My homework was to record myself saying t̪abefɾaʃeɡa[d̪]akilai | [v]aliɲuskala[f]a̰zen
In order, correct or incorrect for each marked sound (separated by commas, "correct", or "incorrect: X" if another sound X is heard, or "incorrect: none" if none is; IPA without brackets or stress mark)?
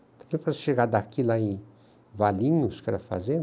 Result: correct, correct, correct